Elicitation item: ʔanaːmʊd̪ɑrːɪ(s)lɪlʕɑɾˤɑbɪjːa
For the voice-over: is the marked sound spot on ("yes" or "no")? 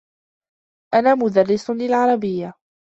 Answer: yes